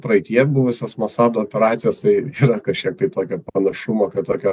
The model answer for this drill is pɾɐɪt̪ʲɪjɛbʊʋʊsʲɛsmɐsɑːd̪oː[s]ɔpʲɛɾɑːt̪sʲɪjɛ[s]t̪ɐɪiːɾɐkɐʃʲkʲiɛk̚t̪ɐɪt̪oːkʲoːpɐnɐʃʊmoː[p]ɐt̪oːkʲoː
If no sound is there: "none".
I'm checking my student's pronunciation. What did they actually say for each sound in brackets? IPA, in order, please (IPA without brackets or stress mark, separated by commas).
none, s, k